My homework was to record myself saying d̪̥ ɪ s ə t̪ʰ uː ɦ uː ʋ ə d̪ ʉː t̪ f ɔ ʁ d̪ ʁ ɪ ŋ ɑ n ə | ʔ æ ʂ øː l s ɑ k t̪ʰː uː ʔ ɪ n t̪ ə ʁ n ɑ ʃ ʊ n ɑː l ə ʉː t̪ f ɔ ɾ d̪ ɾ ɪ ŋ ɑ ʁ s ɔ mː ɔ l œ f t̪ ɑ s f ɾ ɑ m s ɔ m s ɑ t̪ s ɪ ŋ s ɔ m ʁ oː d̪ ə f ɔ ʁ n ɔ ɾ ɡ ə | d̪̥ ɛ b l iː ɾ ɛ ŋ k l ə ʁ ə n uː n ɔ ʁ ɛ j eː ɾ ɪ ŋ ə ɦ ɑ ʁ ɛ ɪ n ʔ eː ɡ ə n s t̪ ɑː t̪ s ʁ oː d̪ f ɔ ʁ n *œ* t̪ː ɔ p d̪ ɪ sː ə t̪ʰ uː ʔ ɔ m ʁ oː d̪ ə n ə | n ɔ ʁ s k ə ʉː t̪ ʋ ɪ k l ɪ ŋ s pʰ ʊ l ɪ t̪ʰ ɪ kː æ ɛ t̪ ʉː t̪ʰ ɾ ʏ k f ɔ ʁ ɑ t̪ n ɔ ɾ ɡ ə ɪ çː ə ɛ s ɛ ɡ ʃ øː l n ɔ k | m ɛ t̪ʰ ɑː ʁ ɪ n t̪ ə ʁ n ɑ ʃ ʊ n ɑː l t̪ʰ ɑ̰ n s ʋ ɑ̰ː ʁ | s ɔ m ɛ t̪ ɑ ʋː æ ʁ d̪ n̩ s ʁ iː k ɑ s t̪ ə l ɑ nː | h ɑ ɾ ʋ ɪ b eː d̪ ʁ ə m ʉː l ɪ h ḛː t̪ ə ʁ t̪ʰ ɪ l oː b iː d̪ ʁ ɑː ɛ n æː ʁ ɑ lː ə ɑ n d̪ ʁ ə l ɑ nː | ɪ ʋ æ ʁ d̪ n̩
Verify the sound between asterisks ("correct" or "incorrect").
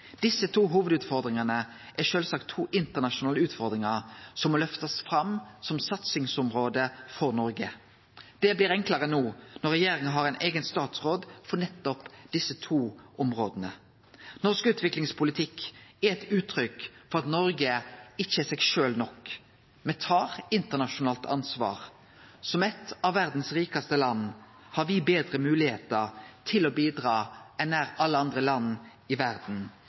incorrect